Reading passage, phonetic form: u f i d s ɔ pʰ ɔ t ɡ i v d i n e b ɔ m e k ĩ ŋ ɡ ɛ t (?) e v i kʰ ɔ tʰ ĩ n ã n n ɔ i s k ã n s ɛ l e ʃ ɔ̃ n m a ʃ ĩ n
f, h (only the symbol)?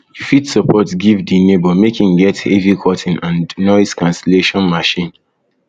h